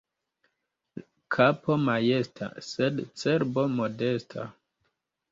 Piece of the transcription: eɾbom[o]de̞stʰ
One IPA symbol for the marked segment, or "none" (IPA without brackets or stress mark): o